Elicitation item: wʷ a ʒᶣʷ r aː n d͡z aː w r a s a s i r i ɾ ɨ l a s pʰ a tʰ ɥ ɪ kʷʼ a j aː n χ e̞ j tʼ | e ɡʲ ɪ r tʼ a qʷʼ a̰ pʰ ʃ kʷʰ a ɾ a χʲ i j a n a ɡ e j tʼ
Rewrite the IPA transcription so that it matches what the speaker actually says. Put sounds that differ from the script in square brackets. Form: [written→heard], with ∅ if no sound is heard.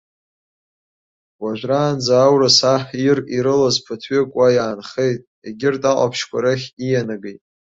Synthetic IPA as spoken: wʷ a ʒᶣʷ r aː n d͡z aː w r a s a [s→ħ] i r i ɾ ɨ l a [s→z] pʰ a tʰ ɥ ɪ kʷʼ a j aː n χ e̞ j tʼ | e ɡʲ ɪ r tʼ a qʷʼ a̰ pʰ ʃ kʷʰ a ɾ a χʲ i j a n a ɡ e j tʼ

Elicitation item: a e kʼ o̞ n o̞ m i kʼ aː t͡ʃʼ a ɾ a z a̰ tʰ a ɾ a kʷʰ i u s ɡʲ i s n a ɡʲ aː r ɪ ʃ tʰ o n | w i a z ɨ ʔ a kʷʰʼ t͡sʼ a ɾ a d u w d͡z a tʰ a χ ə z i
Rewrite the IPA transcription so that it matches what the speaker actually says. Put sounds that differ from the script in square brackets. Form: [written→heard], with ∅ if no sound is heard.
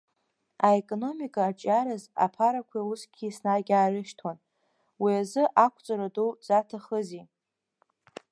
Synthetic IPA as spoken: a e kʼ o̞ n o̞ m i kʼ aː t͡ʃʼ a ɾ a z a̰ [tʰ→pʰ] a ɾ a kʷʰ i u s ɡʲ i s n a ɡʲ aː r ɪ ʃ tʰ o n | w i a z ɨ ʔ a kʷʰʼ t͡sʼ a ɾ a d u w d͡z a tʰ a χ ə z i

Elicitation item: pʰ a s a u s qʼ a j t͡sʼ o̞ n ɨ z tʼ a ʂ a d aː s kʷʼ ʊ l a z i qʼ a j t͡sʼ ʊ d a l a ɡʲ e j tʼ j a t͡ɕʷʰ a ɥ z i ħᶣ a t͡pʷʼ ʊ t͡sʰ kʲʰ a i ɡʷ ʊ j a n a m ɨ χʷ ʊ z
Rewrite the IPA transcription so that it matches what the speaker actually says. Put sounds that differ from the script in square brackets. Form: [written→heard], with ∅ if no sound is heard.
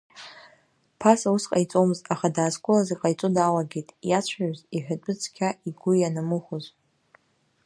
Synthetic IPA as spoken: pʰ a s a u s qʼ a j t͡sʼ o̞ [n→m] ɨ z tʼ a [ʂ→χ] a d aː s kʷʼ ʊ l a z i qʼ a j t͡sʼ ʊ d a l a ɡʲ e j tʼ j a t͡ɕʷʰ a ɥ z i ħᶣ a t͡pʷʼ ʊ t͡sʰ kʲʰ a i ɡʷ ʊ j a n a m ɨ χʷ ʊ z

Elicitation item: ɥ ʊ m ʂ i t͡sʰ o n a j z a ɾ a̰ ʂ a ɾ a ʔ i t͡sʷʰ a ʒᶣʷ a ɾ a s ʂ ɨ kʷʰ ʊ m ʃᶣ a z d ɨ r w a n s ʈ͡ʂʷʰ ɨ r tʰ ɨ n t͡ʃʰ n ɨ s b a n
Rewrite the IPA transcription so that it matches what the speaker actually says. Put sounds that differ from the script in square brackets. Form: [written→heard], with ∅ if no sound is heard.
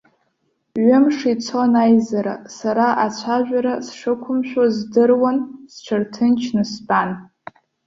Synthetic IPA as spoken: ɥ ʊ m ʂ i t͡sʰ o n a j z a ɾ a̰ [ʂ→s] a ɾ a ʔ [i→a] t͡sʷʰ a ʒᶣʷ a ɾ a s ʂ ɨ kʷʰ ʊ m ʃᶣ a z d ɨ r w a n s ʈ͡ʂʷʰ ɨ r tʰ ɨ n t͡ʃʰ n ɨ s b a n

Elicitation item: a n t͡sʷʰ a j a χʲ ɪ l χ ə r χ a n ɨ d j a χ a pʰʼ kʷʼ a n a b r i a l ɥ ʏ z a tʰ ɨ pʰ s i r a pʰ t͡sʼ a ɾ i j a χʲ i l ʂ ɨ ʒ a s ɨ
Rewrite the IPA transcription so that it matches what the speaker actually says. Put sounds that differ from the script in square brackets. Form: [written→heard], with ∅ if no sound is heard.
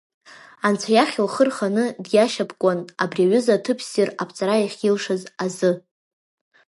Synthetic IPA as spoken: a n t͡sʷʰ a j a χʲ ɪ l χ ə r χ a n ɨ d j a [χ→ʃ] a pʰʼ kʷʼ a n a b r i a [l→∅] ɥ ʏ z a tʰ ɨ pʰ s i r a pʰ t͡sʼ a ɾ [i→a] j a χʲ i l ʂ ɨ [ʒ→z] a [s→z] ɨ

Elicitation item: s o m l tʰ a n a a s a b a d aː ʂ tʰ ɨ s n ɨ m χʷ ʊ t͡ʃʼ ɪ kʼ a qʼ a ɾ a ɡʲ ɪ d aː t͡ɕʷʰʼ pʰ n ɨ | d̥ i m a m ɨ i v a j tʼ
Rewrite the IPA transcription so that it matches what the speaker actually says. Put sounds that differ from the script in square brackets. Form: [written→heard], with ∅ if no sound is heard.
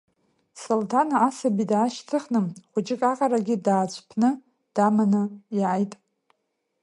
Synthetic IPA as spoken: s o [m→∅] l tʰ a n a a s a b [a→i] d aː [ʂ→ʃ] tʰ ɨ [s→χ] n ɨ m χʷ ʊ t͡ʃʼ ɪ kʼ a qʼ a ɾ a ɡʲ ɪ d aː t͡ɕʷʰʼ pʰ n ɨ | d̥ [i→a] m a [m→n] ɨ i [v→ʕ] a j tʼ

